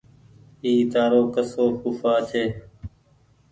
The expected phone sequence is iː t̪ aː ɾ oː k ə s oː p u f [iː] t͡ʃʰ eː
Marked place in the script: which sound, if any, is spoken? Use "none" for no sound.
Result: aː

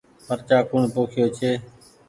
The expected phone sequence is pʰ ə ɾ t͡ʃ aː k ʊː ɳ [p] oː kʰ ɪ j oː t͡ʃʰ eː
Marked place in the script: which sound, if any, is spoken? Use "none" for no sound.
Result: p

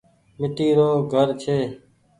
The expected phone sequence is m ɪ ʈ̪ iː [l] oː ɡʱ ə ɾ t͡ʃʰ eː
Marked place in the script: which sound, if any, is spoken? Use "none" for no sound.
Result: ɾ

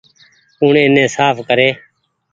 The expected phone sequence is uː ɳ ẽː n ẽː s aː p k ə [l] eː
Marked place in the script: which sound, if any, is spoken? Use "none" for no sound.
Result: ɾ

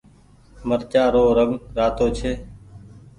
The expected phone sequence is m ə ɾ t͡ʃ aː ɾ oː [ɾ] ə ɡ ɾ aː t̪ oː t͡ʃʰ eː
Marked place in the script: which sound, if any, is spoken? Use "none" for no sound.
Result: ɾ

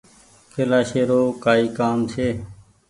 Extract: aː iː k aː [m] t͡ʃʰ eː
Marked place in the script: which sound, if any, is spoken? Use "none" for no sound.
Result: m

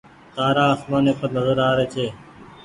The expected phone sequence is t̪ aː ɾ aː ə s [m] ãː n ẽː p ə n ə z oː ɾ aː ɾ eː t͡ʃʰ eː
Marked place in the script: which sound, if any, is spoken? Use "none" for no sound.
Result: m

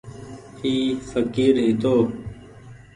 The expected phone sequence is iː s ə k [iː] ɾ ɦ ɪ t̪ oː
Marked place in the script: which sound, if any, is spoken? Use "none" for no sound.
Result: iː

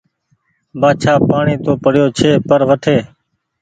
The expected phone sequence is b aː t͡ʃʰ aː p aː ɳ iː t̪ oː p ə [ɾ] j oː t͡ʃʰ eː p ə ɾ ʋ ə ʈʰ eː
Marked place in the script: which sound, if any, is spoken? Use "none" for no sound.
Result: ɽ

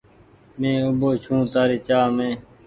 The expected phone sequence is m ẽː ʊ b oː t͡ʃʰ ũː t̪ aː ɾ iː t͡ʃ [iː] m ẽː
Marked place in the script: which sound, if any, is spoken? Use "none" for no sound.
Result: aː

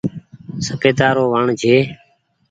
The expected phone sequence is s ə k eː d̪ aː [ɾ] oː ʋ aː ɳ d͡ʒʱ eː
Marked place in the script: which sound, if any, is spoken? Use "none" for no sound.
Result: ɾ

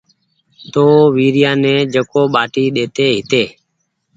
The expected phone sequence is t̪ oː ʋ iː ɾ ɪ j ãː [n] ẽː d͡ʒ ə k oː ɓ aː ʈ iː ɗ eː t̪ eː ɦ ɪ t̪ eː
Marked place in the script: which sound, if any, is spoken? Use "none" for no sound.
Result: n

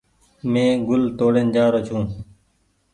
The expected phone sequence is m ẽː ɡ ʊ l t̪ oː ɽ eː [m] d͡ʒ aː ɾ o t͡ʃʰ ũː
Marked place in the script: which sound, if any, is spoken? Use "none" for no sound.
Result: n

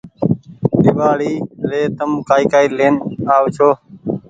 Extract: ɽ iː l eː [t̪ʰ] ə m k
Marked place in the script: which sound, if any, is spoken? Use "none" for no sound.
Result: t̪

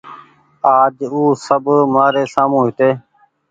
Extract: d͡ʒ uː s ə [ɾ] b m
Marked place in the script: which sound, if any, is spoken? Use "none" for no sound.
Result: none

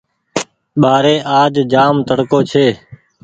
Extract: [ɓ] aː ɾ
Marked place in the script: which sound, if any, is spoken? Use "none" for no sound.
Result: ɓ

